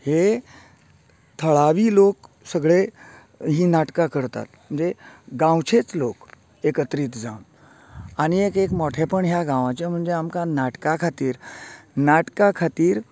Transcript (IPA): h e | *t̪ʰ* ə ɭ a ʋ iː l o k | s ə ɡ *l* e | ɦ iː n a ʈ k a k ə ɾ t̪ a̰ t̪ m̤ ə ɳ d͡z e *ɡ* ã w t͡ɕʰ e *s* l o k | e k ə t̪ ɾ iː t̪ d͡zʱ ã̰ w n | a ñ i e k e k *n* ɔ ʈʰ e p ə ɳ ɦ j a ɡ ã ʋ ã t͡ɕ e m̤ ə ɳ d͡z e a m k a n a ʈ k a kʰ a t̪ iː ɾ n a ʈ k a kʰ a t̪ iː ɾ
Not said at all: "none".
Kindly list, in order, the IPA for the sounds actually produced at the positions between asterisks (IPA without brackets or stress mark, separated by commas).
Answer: t̪ʰ, ɭ, ɡ, t͡s, m